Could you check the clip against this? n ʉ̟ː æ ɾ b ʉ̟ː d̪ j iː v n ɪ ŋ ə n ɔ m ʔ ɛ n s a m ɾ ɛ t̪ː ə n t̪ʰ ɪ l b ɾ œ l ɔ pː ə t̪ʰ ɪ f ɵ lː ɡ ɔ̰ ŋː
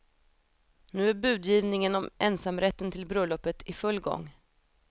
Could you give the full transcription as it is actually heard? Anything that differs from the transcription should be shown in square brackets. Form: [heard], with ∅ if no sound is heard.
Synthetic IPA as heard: n ʉ̟ː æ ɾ b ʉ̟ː d̪ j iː v n ɪ ŋ ə n ɔ m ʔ ɛ n s a m ɾ ɛ t̪ː ə n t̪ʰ ɪ l b ɾ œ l ɔ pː ə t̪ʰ ɪ f ɵ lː ɡ ɔ̰ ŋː